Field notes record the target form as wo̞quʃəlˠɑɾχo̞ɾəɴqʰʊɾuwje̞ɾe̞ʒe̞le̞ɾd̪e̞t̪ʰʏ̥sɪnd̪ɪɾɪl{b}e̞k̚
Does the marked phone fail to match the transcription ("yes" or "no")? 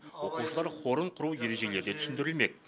yes